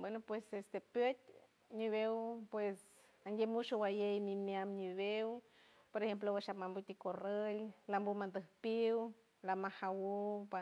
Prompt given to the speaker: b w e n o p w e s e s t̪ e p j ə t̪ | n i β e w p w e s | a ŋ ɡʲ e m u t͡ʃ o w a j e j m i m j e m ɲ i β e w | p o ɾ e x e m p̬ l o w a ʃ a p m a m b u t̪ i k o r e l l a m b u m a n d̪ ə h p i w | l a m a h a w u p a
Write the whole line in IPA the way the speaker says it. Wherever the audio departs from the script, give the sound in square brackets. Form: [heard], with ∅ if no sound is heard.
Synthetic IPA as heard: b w e n o p w e s e s t̪ e p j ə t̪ | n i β e w p w e s | a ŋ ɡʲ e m u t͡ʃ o w a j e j m i m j [a] m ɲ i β e w | p o ɾ e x e m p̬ l o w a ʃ a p m a m b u t̪ i k o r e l l a m b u m a n d̪ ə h p i w | l a m a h a w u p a